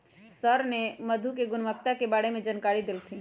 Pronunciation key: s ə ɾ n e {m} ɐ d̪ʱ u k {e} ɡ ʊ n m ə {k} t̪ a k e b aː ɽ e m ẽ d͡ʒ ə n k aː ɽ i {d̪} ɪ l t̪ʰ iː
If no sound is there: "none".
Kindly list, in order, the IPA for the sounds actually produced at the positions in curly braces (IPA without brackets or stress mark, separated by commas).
m, e, k, d̪